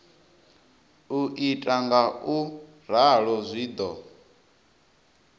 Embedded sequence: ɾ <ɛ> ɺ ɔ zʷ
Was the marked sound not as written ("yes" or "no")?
yes